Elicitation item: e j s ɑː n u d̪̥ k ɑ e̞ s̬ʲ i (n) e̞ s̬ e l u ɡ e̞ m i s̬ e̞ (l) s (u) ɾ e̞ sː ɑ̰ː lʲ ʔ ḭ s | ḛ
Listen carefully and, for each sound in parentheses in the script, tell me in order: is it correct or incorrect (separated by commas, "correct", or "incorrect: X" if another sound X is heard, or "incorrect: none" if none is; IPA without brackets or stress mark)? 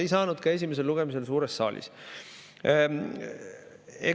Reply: incorrect: m, correct, incorrect: uː